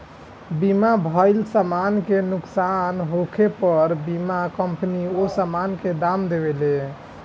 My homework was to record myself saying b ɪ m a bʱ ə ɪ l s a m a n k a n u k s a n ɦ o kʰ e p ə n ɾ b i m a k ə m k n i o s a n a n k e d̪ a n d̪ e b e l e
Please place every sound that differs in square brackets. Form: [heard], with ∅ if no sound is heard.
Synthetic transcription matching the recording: b [i] m a bʱ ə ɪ l s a m a n k [e] n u k s a n ɦ o kʰ e p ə [∅] ɾ b i m a k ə m [p] n i o s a [m] a n k e d̪ a [m] d̪ e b e l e